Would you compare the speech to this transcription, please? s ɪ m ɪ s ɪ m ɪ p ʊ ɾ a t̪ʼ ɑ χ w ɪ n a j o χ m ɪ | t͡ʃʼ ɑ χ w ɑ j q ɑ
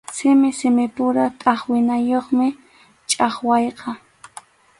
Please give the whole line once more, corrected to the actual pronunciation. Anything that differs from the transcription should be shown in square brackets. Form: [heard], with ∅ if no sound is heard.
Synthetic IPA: s ɪ m ɪ s ɪ m ɪ p ʊ ɾ a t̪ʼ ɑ χ w ɪ n a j o χ m ɪ | t͡ʃʼ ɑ χ w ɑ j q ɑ

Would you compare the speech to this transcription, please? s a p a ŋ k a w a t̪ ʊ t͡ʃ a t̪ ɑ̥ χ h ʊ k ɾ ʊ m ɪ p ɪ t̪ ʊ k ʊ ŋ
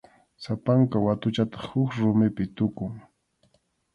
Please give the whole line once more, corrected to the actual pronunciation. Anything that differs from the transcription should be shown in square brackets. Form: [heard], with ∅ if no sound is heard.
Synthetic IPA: s a p a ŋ k a w a t̪ ʊ t͡ʃ a t̪ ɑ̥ χ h ʊ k ɾ ʊ m ɪ p ɪ t̪ ʊ k ʊ ŋ

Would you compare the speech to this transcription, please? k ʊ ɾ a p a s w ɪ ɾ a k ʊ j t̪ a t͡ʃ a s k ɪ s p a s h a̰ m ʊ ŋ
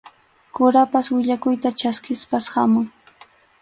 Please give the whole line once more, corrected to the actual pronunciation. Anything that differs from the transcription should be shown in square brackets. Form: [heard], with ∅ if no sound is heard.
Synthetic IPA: k ʊ ɾ a p a s w ɪ [ʎ] a k ʊ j t̪ a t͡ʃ a s k ɪ s p a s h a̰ m ʊ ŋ

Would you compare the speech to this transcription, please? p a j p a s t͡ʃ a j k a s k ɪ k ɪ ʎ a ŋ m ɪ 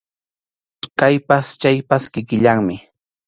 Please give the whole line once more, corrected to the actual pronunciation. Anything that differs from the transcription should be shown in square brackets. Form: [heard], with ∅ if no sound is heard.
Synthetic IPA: [k] a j p a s t͡ʃ a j [p] a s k ɪ k ɪ ʎ a ŋ m ɪ

